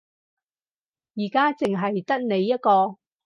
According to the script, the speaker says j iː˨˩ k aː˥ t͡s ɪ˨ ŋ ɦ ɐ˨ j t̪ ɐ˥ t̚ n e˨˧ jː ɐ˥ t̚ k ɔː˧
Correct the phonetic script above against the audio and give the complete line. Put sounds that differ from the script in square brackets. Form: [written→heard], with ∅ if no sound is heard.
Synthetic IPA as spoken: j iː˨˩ k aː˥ t͡s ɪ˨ ŋ ɦ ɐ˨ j t̪ ɐ˥ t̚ n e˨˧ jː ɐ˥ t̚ k ɔː˧